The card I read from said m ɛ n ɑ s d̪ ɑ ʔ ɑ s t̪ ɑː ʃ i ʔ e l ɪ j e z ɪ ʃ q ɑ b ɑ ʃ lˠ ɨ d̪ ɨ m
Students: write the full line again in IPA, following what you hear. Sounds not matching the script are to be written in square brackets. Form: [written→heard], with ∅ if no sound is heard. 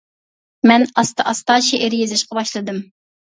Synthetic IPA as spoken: m ɛ n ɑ s [d̪→t̪] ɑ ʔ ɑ s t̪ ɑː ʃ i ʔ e [l→ɾ] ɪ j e z ɪ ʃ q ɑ b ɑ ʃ lˠ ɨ d̪ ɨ m